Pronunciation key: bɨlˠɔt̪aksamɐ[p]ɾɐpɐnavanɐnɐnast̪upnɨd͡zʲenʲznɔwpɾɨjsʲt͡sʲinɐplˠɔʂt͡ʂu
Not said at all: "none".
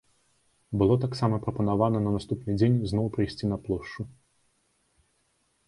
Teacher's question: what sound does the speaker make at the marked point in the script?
p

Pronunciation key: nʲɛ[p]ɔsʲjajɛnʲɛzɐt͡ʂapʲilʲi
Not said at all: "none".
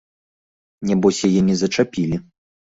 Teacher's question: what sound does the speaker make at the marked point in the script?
b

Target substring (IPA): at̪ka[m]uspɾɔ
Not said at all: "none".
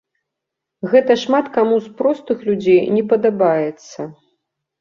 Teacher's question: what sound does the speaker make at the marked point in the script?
m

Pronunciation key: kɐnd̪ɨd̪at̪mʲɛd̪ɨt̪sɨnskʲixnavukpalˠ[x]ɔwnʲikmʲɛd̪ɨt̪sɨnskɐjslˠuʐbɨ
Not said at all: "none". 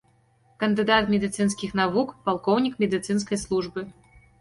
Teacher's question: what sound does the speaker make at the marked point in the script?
k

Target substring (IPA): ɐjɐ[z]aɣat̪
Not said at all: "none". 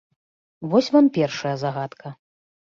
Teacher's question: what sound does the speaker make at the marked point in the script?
z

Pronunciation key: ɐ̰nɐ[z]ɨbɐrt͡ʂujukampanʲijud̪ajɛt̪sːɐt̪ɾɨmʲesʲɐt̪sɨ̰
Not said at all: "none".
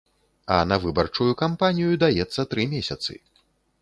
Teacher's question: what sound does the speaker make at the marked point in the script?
v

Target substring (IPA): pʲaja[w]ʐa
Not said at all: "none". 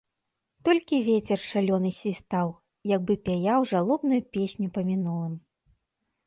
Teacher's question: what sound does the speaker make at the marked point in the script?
w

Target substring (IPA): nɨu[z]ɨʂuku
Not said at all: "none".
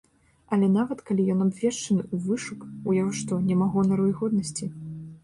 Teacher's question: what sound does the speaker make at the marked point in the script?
v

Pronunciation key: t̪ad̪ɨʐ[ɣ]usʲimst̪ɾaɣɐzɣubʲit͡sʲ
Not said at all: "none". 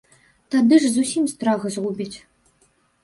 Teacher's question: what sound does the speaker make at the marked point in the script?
z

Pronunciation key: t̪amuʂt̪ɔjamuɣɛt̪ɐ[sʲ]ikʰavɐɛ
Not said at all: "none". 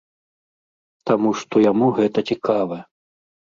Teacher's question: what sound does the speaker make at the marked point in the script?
t͡sʲ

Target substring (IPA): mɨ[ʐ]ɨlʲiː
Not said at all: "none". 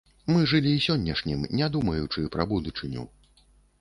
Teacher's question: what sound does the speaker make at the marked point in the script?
ʐ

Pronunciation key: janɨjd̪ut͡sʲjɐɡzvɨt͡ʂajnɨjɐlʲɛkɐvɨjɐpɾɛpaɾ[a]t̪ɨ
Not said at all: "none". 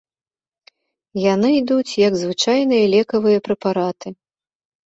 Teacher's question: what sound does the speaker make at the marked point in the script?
a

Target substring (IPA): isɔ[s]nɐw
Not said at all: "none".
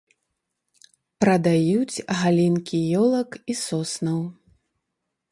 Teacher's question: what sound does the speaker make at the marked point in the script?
s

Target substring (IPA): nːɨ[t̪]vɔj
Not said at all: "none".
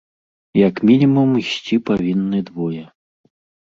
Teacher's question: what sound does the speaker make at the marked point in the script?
d̪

